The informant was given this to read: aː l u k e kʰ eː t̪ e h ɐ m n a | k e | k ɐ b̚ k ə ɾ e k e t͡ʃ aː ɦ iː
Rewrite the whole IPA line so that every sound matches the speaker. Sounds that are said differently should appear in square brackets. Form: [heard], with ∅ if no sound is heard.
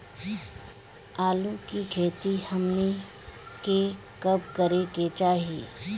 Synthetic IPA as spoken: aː l u k [i] kʰ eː t̪ [i] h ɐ m n [e] | k e | k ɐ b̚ k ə ɾ e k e t͡ʃ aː ɦ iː

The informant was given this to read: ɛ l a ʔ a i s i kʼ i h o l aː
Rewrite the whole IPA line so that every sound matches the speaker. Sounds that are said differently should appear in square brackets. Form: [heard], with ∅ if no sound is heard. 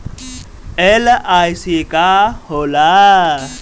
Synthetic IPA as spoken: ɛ l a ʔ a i s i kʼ [a] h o l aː

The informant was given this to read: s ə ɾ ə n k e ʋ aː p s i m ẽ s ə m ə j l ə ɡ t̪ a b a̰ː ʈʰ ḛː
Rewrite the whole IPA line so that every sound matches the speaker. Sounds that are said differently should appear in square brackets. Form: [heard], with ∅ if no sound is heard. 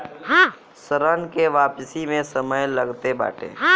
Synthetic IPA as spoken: s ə ɾ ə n k e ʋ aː p s i m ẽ s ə m ə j l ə ɡ t̪ [e] b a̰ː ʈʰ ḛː

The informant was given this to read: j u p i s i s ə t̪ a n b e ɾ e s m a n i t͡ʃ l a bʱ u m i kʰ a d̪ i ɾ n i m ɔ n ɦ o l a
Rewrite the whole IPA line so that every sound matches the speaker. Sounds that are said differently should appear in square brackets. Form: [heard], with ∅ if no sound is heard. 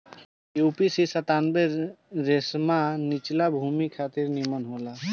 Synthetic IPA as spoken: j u p i s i s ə t̪ a n b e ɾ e s m a n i t͡ʃ l a bʱ u m i kʰ a [t̪] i ɾ n i m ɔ n ɦ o l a

